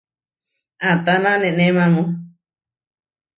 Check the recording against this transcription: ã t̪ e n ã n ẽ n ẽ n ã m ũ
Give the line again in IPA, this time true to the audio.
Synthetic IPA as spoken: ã t̪ a n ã n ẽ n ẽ m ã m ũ